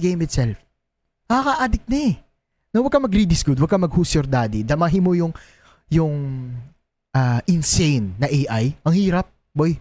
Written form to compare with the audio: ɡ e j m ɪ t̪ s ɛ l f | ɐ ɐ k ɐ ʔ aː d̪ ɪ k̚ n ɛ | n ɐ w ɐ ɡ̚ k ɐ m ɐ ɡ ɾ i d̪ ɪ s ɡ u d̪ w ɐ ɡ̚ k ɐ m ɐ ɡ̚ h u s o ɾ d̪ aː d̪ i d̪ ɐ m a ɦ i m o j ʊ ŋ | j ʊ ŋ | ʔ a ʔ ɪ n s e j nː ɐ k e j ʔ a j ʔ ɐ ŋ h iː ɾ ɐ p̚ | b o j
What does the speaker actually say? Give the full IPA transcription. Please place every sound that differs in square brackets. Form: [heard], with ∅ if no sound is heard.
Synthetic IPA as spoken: ɡ e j m ɪ t̪ s ɛ l f | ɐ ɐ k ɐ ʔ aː d̪ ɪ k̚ n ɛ | n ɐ w ɐ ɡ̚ k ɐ m ɐ ɡ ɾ i d̪ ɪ s ɡ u d̪ w ɐ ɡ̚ k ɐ m ɐ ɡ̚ h u s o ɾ d̪ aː d̪ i d̪ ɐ m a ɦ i m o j ʊ ŋ | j ʊ ŋ | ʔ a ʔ ɪ n s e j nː ɐ [ʔ] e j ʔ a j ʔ ɐ ŋ h iː ɾ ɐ p̚ | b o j